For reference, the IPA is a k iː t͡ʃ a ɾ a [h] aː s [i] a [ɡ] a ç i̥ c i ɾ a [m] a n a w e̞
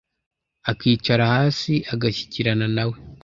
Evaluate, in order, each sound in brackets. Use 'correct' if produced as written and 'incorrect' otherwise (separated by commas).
correct, correct, correct, incorrect